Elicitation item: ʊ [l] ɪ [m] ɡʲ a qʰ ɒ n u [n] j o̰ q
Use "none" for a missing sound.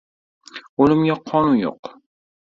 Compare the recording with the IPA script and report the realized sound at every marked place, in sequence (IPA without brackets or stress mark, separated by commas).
l, m, n